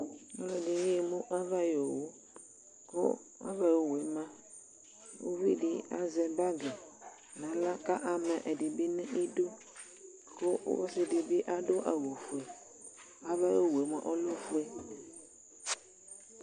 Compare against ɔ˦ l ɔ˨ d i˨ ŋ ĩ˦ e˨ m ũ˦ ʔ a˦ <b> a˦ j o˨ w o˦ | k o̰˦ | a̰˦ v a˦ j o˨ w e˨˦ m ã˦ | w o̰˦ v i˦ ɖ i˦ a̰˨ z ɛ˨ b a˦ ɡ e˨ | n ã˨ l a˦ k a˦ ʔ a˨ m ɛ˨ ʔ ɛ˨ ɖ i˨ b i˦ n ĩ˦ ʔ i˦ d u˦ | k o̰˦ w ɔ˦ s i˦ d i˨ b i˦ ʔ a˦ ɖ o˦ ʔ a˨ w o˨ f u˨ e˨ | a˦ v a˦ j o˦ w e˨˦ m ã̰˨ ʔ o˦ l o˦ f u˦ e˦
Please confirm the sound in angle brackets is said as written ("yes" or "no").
no